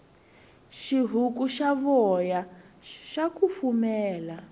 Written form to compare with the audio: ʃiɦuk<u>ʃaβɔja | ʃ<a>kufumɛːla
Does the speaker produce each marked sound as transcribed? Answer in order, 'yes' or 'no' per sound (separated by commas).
yes, yes